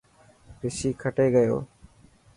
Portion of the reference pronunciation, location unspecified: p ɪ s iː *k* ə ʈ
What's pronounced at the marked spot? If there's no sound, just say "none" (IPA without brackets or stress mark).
kʰ